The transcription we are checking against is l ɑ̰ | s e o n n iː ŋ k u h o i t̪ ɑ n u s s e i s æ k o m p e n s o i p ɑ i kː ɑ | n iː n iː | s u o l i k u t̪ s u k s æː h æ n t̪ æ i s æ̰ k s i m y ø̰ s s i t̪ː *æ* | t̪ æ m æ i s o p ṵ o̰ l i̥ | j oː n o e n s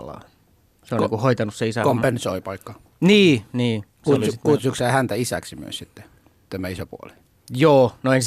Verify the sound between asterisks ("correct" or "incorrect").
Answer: incorrect